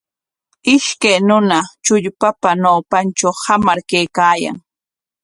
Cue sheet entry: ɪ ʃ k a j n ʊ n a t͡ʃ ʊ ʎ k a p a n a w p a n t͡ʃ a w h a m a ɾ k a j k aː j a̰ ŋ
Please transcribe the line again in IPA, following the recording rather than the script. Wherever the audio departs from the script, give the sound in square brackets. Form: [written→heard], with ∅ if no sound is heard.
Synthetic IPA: ɪ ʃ k a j n ʊ n a t͡ʃ ʊ ʎ [k→p] a p a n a w p a n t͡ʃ a w h a m a ɾ k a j k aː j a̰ ŋ